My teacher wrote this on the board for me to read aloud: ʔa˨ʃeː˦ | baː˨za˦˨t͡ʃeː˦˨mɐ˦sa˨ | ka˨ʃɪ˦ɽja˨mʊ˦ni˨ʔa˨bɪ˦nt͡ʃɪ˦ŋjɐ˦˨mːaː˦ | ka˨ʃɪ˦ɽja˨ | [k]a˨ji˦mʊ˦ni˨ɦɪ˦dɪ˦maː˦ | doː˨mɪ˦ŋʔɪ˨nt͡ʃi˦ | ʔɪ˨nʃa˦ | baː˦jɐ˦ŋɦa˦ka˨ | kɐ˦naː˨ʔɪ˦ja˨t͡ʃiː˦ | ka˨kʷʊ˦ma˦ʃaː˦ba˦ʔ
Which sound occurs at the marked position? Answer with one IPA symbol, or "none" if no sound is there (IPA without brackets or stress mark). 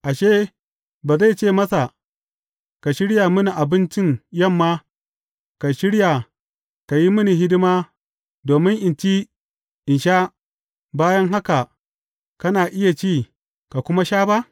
k